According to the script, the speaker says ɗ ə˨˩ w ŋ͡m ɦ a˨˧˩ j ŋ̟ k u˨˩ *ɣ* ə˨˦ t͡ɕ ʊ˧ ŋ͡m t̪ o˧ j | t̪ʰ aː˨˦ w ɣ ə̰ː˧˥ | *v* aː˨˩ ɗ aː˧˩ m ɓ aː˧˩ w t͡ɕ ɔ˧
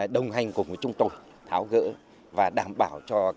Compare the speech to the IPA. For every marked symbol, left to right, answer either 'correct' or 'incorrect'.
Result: incorrect, correct

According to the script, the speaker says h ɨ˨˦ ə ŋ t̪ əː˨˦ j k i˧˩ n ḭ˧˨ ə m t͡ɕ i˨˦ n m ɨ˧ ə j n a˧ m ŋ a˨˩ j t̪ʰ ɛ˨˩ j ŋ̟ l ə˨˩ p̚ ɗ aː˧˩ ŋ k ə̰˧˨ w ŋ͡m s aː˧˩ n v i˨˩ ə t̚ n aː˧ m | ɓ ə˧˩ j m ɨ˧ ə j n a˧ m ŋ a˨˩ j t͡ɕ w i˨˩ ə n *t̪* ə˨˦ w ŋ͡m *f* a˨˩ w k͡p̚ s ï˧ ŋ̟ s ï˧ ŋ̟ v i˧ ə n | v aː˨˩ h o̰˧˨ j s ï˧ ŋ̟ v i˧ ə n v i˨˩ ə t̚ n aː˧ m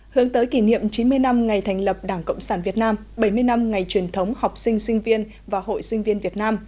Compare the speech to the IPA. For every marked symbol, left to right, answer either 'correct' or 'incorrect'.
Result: incorrect, incorrect

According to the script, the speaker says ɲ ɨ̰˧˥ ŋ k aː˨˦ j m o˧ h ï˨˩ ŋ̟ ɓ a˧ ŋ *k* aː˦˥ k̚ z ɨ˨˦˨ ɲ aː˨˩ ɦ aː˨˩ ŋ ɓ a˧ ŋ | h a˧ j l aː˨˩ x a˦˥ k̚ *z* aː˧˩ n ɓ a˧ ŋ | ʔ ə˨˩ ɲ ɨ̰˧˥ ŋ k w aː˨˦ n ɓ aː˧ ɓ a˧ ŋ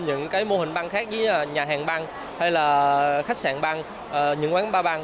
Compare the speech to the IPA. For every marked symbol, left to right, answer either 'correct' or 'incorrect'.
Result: incorrect, incorrect

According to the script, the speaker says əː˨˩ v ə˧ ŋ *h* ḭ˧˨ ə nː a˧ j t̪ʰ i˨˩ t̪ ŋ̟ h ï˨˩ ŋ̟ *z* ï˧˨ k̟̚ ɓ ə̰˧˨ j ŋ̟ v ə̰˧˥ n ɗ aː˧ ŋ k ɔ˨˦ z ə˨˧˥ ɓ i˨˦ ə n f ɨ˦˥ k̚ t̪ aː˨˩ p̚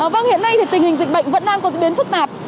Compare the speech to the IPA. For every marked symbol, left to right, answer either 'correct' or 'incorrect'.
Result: correct, correct

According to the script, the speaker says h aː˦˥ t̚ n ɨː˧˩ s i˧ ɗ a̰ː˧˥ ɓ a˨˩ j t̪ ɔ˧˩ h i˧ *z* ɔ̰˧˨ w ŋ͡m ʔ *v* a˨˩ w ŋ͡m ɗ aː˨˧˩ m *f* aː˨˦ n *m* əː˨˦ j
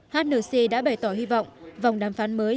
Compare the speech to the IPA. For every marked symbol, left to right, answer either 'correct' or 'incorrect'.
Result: incorrect, correct, correct, correct

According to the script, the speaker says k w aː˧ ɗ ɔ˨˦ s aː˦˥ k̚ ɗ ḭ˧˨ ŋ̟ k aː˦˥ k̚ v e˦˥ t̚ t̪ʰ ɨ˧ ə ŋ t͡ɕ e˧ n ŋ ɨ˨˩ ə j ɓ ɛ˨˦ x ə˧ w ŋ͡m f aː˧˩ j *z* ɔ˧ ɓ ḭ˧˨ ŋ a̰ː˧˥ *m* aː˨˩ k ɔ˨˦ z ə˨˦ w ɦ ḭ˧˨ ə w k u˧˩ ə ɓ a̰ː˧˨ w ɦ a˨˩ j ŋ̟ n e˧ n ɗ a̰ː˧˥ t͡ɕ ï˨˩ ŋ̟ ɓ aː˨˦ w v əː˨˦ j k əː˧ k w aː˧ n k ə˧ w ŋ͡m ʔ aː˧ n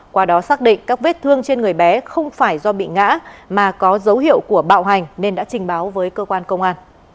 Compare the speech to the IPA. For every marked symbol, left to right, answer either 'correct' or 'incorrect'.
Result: correct, correct

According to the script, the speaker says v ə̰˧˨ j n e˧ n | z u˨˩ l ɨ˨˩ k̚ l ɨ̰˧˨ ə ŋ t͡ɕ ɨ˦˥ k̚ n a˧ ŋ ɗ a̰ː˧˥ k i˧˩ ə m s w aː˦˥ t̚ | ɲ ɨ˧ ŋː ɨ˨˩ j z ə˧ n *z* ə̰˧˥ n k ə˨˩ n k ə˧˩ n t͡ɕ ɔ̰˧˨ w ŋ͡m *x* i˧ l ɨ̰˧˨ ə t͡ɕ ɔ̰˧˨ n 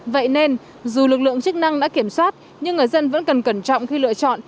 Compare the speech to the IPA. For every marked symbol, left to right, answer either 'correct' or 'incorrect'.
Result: incorrect, correct

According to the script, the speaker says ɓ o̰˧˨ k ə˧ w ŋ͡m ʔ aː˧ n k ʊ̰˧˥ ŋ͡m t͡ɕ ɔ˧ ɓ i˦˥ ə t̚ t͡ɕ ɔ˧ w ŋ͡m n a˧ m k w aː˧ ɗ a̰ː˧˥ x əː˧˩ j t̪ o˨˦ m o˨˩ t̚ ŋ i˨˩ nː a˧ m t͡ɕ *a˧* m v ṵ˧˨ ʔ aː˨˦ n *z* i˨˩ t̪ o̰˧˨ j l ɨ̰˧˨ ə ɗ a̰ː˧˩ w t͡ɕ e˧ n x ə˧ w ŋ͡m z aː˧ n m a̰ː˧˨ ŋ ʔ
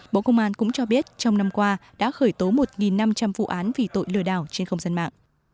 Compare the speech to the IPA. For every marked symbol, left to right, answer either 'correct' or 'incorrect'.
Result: correct, incorrect

